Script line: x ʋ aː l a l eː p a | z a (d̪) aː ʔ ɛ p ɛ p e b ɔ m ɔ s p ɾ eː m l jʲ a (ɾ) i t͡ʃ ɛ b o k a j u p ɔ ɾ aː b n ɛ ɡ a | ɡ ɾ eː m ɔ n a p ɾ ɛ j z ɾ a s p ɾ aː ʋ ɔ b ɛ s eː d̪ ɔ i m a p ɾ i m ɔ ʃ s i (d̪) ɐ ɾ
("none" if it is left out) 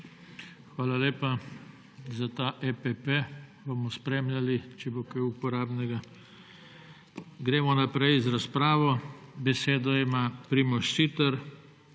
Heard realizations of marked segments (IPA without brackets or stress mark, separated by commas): t̪, l, t̪